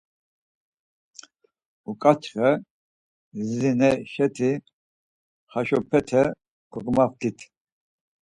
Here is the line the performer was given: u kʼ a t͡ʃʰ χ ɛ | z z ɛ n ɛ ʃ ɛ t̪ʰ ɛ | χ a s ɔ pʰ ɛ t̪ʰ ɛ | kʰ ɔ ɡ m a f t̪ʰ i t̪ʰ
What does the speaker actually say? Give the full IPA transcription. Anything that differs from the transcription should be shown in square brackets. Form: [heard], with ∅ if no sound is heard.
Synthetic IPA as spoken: u kʼ a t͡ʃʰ χ ɛ | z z [i] n ɛ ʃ ɛ t̪ʰ [i] | χ a [ʃ] ɔ pʰ ɛ t̪ʰ ɛ | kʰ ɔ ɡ m a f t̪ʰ i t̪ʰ